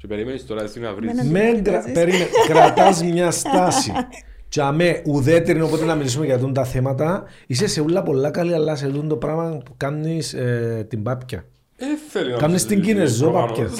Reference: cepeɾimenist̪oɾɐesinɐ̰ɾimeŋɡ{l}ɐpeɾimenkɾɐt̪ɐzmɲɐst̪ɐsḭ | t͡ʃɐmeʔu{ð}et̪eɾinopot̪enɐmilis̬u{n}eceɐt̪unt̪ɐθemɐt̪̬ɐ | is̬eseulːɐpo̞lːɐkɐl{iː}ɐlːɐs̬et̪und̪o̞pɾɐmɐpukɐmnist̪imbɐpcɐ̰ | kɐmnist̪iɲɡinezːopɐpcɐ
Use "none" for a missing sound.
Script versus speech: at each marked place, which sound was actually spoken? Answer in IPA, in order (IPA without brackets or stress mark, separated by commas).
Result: ɾ, ð, m, i